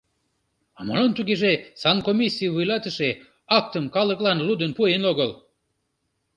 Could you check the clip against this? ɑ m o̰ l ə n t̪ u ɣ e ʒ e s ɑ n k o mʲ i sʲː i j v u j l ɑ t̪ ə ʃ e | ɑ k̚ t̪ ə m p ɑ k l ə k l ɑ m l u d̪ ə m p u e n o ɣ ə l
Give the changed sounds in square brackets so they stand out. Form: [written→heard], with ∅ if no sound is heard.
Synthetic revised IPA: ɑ m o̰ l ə n t̪ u ɣ e ʒ e s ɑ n k o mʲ i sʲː i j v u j l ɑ t̪ ə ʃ e | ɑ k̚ t̪ ə m [p→k] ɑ [k→∅] l ə k l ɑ [m→n] l u d̪ ə [m→n] p u e n o ɣ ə l